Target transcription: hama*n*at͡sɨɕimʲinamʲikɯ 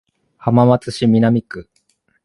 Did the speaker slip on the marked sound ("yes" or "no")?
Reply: yes